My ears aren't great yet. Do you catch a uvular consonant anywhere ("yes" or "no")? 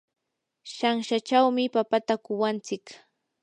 no